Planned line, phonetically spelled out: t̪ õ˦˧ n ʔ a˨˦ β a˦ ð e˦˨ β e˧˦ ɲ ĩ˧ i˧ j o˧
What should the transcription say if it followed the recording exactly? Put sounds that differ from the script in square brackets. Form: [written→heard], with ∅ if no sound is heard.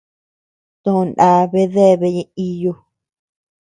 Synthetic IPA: t̪ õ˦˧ n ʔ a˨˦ β [a˦→e˦] ð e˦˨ β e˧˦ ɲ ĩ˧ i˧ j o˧